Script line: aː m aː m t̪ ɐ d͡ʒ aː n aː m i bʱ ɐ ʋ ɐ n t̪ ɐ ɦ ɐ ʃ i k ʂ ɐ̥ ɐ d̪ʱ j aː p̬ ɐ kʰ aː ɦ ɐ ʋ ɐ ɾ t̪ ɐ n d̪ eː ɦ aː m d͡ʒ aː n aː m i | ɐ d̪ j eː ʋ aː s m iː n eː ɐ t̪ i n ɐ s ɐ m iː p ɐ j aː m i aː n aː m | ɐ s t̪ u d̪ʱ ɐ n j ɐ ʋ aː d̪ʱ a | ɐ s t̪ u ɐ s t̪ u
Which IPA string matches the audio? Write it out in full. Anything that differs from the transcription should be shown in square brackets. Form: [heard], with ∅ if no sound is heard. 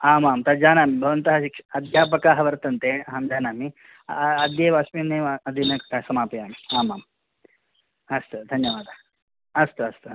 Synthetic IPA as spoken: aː m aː m t̪ ɐ d͡ʒ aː n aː m i bʱ ɐ ʋ ɐ n t̪ ɐ ɦ ɐ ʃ i k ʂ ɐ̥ ɐ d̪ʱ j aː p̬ ɐ [k] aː ɦ ɐ ʋ ɐ ɾ t̪ ɐ n [t̪] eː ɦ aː m d͡ʒ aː n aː m i | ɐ d̪ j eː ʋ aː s m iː n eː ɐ [d̪] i n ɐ s ɐ m [aː] p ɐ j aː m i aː [m] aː m | ɐ s t̪ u d̪ʱ ɐ n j ɐ ʋ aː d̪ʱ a | ɐ s t̪ u ɐ s t̪ u